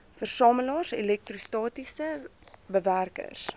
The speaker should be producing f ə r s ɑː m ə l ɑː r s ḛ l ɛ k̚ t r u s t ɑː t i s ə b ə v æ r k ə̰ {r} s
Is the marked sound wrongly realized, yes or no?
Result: no